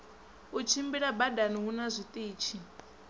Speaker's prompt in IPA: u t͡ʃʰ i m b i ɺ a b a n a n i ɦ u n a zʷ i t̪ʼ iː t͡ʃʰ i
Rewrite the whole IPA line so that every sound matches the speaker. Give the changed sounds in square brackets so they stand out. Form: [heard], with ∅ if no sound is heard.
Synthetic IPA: u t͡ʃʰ i m b i ɺ a b a [d] a n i ɦ u n a zʷ i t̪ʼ iː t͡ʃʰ i